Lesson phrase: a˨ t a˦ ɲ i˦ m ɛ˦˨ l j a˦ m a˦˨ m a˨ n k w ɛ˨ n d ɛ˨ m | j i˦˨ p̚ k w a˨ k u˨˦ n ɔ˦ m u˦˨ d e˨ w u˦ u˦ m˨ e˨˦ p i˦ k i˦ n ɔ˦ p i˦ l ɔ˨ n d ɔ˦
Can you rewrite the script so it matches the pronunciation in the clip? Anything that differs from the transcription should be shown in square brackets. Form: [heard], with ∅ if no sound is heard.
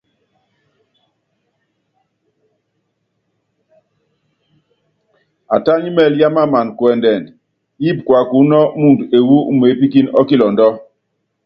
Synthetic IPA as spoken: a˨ t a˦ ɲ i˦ m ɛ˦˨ l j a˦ m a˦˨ m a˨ n k w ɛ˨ n d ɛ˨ [n] | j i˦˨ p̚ k w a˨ k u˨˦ n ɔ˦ m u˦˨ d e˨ w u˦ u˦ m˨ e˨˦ p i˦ k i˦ n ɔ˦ [k] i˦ l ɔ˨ n d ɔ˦